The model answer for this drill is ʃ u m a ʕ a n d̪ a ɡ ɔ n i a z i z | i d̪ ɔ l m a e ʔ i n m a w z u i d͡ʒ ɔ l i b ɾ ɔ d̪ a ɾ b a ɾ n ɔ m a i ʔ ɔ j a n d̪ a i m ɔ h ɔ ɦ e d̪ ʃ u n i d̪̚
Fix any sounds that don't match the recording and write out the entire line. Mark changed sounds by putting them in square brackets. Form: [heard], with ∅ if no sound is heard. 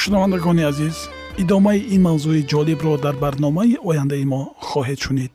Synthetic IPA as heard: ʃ u [n] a [v] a n d̪ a ɡ ɔ n i a z i z | i d̪ ɔ [∅] m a [i] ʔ i n m a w z u i d͡ʒ ɔ l i b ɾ ɔ d̪ a ɾ b a ɾ n ɔ m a i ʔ ɔ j a n d̪ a i m ɔ [χ] ɔ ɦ e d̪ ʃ u n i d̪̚